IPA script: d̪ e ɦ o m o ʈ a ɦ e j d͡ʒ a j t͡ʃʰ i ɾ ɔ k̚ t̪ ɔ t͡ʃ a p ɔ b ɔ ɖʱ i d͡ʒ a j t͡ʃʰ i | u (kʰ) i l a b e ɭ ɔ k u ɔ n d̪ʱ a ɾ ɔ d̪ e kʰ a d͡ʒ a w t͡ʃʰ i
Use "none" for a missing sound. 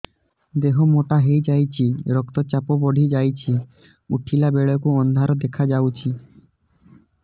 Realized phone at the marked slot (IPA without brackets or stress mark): ʈʰ